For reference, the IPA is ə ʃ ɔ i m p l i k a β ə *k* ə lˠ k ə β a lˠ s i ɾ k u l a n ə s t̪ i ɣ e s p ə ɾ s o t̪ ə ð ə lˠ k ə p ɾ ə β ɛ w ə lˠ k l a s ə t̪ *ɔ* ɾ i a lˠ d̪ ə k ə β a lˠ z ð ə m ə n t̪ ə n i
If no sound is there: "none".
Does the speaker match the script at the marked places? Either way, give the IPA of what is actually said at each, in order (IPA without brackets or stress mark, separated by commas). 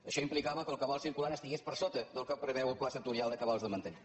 k, u